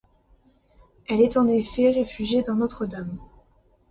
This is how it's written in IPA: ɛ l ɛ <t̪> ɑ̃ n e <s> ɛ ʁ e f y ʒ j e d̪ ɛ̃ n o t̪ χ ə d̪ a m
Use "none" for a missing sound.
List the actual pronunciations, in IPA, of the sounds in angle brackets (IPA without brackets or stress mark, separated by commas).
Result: t̪, f